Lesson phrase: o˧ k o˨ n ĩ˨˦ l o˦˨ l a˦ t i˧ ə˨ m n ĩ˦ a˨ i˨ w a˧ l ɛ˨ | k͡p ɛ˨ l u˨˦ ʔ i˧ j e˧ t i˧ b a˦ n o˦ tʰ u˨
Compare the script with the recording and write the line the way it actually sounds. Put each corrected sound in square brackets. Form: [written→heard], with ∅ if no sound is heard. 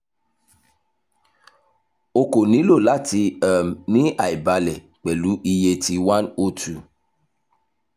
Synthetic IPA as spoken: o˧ k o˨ n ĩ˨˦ l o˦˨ l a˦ t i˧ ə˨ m n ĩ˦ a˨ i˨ [w→b] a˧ l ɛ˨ | k͡p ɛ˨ l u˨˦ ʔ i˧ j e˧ t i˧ [b→w] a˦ n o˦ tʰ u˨

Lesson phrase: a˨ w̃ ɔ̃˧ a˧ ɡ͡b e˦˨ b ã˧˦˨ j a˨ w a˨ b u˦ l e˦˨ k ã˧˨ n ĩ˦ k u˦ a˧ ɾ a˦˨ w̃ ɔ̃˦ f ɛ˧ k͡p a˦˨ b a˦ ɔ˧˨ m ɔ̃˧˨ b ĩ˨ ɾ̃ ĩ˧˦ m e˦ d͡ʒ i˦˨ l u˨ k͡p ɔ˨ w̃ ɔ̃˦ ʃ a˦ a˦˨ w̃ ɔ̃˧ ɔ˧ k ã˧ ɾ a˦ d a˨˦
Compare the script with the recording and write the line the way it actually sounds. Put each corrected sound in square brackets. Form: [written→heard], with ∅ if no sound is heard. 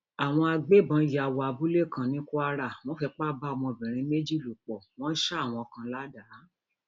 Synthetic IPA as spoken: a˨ w̃ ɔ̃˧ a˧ ɡ͡b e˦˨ b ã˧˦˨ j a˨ w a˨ b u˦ l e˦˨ k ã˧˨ n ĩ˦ k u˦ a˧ ɾ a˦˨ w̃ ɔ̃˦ f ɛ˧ k͡p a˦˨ b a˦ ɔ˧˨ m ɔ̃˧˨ b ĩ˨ ɾ̃ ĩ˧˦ m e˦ d͡ʒ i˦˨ l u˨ k͡p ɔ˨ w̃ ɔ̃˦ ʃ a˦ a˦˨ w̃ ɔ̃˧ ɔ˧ k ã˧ [ɾ→l] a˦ d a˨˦

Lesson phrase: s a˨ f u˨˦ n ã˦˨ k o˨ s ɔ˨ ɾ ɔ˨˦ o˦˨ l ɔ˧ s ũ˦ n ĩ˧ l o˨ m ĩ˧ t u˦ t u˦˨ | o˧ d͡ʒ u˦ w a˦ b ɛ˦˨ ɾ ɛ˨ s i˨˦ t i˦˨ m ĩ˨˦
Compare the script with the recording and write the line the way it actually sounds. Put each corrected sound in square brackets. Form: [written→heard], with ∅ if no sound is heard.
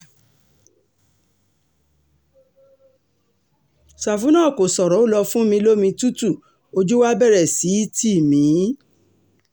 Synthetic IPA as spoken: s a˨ f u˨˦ n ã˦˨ k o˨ s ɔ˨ ɾ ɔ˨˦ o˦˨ l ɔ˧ [s→f] ũ˦ [n→m] ĩ˧ l [o˨→o˦] m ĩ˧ t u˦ t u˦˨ | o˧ d͡ʒ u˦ w a˦ b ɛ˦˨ ɾ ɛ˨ s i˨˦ t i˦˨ m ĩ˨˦

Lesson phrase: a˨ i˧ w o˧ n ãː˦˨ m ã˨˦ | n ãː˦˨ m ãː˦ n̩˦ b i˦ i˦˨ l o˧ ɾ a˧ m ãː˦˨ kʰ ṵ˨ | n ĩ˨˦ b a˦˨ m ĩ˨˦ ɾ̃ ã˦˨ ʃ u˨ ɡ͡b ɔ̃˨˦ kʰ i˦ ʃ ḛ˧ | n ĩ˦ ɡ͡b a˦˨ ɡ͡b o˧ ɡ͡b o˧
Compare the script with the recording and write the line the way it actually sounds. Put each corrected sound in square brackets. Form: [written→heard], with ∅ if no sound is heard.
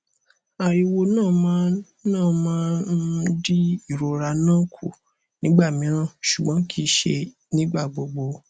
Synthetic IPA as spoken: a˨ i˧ w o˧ n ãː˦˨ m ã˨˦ | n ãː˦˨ m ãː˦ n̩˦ [b→d] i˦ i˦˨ [l→ɾ] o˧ ɾ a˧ [m→n] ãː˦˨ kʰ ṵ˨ | n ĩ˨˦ [b→ɡ͡b] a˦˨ m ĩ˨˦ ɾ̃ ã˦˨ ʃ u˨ ɡ͡b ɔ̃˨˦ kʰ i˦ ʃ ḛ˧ | n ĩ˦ ɡ͡b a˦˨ ɡ͡b o˧ ɡ͡b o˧

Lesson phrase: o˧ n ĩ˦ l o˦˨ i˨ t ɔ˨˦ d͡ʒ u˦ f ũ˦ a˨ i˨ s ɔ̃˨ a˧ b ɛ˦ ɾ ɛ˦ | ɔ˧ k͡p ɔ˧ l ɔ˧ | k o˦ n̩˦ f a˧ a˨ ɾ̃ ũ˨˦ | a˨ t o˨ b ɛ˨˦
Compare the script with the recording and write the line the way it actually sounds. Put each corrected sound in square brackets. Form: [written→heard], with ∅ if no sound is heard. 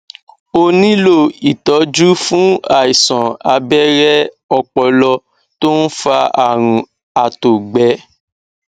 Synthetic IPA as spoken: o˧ n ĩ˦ l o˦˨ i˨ t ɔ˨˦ d͡ʒ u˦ f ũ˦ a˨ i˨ s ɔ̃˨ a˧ b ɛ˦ ɾ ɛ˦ | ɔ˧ k͡p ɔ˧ l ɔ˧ | [k→t] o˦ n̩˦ f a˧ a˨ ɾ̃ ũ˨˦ | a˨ t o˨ [b→ɡ͡b] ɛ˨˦

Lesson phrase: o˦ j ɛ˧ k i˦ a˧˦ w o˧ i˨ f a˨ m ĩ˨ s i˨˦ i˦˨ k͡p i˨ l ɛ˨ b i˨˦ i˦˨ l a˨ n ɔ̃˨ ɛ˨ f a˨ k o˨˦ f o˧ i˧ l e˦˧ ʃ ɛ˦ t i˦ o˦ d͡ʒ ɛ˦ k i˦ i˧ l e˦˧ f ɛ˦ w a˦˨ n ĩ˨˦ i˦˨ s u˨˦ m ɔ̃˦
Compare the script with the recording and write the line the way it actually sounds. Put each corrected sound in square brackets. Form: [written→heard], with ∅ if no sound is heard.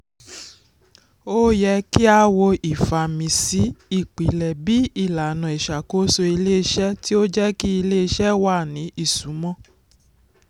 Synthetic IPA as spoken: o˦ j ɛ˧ k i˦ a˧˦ w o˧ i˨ f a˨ m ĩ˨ s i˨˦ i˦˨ k͡p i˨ l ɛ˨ b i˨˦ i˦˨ l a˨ n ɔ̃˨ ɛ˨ [f→ʃ] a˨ k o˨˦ [f→s] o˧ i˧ l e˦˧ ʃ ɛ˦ t i˦ o˦ d͡ʒ ɛ˦ k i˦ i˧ l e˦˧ [f→ʃ] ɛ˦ w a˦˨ n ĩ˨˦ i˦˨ s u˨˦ m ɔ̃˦

